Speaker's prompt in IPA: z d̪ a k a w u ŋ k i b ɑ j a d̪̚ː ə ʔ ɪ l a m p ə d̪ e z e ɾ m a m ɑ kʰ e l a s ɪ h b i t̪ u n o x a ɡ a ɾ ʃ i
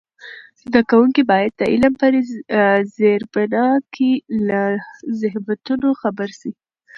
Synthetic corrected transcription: z d̪ a k a w u ŋ k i b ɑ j a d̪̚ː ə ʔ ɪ l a m p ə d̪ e z e ɾ b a n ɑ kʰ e l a z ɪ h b a t̪ u n o x a b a ɾ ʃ i